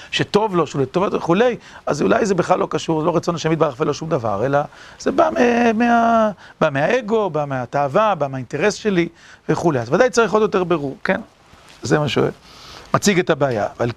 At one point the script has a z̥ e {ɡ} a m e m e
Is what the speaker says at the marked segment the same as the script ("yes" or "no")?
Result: no